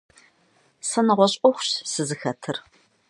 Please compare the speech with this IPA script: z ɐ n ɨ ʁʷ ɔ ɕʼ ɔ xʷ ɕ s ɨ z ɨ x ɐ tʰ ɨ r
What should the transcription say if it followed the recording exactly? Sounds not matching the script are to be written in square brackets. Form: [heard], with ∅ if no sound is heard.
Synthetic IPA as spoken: [s] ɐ n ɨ ʁʷ ɔ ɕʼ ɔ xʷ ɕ s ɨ z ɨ x ɐ tʰ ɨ r